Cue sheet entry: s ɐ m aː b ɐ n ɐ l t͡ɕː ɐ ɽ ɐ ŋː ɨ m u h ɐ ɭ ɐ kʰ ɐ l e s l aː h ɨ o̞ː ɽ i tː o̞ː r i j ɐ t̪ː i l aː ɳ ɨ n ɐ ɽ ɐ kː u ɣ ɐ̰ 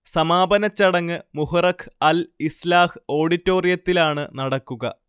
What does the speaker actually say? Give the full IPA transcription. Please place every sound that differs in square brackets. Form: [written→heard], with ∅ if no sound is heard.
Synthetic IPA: s ɐ m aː b ɐ n ɐ [l→∅] t͡ɕː ɐ ɽ ɐ ŋː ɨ m u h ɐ [ɭ→r] ɐ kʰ ɐ l [e→i] s l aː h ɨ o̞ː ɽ i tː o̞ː r i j ɐ t̪ː i l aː ɳ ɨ n ɐ ɽ ɐ kː u ɣ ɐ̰

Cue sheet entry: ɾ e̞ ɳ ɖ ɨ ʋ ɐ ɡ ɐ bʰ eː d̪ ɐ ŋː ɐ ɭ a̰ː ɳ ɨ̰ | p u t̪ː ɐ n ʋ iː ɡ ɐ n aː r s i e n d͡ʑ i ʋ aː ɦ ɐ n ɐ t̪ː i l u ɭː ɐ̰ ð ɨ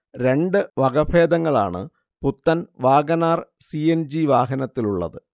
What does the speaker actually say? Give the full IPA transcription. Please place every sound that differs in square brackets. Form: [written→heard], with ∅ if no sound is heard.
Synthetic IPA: ɾ e̞ ɳ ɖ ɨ ʋ ɐ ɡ ɐ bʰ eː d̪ ɐ ŋː ɐ ɭ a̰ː ɳ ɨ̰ | p u t̪ː ɐ n ʋ [iː→aː] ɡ ɐ n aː r s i e n d͡ʑ i ʋ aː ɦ ɐ n ɐ t̪ː i l u ɭː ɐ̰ ð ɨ

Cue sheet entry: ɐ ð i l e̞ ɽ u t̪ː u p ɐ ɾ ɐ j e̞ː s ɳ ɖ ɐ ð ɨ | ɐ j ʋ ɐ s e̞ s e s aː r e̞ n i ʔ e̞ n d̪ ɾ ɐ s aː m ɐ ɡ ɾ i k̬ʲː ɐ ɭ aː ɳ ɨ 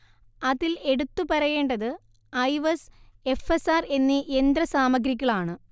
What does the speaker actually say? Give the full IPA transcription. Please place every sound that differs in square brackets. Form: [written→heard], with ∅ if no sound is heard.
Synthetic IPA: ɐ ð i l e̞ ɽ u t̪ː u p ɐ ɾ ɐ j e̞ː [s→∅] ɳ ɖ ɐ ð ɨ | ɐ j ʋ ɐ s e̞ [s→f] e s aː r e̞ [n→nː] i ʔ e̞ n d̪ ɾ ɐ s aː m ɐ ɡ ɾ i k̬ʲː ɐ ɭ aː ɳ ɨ

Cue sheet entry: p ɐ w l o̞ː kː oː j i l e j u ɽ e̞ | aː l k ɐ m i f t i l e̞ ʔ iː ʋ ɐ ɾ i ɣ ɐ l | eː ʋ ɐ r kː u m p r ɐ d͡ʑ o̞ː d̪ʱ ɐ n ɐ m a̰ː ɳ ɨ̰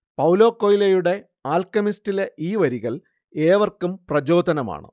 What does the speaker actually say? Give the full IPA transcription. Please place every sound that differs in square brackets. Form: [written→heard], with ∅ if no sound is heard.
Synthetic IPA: p ɐ w l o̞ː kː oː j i l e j u ɽ e̞ | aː l k ɐ m i [f→s] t i l e̞ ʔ iː ʋ ɐ ɾ i ɣ ɐ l | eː ʋ ɐ r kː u m p r ɐ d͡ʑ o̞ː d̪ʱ ɐ n ɐ m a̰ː ɳ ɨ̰

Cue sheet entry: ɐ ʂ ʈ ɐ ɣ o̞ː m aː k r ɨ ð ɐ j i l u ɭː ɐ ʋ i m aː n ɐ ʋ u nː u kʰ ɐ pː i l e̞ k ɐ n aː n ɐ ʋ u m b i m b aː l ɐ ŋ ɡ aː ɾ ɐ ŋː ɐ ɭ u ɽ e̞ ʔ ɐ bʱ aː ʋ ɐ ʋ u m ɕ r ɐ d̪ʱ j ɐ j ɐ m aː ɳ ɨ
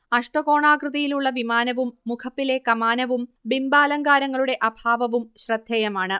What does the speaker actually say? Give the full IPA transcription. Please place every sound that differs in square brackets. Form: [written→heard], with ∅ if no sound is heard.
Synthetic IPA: ɐ ʂ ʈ ɐ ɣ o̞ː [m→ɳ] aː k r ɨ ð ɐ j i l u ɭː ɐ ʋ i m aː n ɐ ʋ u [nː→mː] u kʰ ɐ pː i l e̞ k ɐ [n→m] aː n ɐ ʋ u m b i m b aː l ɐ ŋ ɡ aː ɾ ɐ ŋː ɐ ɭ u ɽ e̞ ʔ ɐ bʱ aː ʋ ɐ ʋ u m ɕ r ɐ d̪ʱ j ɐ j ɐ m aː ɳ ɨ

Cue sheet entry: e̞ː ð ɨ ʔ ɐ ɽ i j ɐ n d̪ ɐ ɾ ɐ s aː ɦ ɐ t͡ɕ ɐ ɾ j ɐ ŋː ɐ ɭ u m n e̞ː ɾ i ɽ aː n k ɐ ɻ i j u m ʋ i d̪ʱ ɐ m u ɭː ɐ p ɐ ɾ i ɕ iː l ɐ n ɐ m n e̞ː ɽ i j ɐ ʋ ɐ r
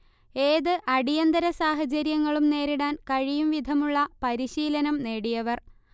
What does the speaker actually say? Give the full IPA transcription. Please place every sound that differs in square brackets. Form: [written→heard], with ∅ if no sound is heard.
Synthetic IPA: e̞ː ð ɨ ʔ ɐ ɽ i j ɐ n d̪ ɐ ɾ ɐ s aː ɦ ɐ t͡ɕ ɐ ɾ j ɐ ŋː ɐ ɭ u m n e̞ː ɾ i ɽ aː n k ɐ ɻ i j u m ʋ i d̪ʱ ɐ m u ɭː ɐ p ɐ ɾ i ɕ iː l ɐ n ɐ m n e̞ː ɽ i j ɐ ʋ ɐ r

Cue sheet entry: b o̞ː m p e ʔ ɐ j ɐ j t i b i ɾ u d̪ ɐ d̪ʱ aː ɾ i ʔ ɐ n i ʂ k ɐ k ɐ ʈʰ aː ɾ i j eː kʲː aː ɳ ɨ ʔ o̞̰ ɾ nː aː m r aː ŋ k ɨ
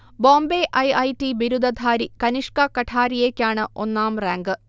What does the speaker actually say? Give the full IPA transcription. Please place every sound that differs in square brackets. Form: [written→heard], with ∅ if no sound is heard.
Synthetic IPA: b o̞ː m [p→b] e ʔ ɐ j ɐ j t i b i ɾ u d̪ ɐ d̪ʱ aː ɾ i [ʔ→k] ɐ n i ʂ k ɐ k ɐ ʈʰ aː ɾ i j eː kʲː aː ɳ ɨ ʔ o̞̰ [ɾ→∅] nː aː m r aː ŋ [k→ɡ] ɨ

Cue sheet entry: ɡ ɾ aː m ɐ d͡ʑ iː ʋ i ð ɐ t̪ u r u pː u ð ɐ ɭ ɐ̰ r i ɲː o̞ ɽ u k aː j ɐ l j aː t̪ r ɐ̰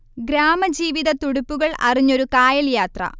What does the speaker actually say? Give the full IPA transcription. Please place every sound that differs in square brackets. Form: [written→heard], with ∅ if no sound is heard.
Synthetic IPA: ɡ ɾ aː m ɐ d͡ʑ iː ʋ i ð ɐ t̪ u [r→ɽ] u pː u [ð→ɣ] ɐ ɭ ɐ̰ r i ɲː o̞ [ɽ→ɾ] u k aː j ɐ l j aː t̪ r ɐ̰

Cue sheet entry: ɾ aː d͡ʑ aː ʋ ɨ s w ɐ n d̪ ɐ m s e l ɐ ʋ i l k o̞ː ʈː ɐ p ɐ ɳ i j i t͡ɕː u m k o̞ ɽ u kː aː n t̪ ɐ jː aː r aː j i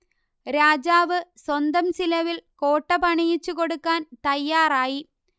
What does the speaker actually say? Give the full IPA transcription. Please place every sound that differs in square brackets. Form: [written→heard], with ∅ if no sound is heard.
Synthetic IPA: ɾ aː d͡ʑ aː ʋ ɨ s w ɐ n d̪ ɐ m s [e→i] l ɐ ʋ i l k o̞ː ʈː ɐ p ɐ ɳ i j i t͡ɕː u [m→∅] k o̞ ɽ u kː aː n t̪ ɐ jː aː r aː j i

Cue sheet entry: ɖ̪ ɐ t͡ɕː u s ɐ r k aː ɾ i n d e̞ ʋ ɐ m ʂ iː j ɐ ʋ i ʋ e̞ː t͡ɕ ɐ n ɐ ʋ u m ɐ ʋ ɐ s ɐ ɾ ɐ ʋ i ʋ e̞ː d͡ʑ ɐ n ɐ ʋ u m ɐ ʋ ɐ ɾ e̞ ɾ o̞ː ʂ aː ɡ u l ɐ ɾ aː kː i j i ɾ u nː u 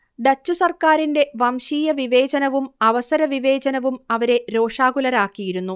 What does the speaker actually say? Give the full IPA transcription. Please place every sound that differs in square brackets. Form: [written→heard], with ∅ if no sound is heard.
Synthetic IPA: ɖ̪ ɐ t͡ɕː u s ɐ r k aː ɾ i n d e̞ ʋ ɐ m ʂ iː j ɐ ʋ i ʋ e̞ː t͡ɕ ɐ n ɐ ʋ u m ɐ ʋ ɐ s ɐ ɾ ɐ ʋ i ʋ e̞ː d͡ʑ ɐ n ɐ ʋ u m ɐ ʋ ɐ ɾ e̞ ɾ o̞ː ʂ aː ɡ u l ɐ ɾ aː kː i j i ɾ u nː u

